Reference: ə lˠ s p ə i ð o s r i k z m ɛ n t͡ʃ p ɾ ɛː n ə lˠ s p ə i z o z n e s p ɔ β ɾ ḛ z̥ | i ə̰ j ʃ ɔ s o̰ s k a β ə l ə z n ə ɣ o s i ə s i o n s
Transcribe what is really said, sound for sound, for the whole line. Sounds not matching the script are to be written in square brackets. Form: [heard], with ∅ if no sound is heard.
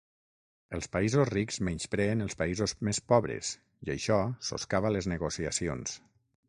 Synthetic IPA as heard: ə lˠ s p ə i [z] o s r i k z m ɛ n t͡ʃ p ɾ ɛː n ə lˠ s p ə i z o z [m] e s p ɔ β ɾ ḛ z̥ | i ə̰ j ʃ ɔ s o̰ s k a β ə l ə z n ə ɣ o s i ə s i o n s